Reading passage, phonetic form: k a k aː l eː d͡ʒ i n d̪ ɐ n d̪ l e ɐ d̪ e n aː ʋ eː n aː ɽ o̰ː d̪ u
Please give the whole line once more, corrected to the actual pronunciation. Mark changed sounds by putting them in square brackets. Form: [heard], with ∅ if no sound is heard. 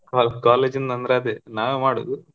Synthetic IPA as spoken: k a k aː l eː d͡ʒ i n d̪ ɐ n d̪ [ɾ] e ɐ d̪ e n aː ʋ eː [m] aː ɽ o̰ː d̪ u